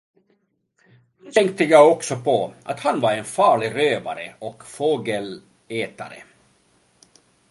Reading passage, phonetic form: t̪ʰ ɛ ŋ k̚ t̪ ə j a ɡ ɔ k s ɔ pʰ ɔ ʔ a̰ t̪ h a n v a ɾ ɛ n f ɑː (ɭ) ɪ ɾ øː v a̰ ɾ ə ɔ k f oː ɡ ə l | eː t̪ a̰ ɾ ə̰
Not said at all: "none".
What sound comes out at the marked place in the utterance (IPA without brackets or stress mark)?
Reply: ɭ